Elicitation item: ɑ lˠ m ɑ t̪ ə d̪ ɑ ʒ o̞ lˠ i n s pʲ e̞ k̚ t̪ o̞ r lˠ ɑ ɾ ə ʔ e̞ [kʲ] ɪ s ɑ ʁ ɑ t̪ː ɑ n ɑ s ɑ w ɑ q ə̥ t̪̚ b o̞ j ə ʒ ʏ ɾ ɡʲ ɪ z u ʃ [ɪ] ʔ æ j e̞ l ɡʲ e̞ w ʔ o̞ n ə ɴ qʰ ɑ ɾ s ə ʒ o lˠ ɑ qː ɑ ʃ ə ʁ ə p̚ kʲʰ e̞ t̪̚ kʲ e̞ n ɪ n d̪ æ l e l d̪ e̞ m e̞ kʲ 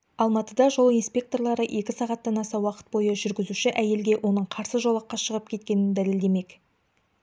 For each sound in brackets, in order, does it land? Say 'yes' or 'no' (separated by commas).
yes, yes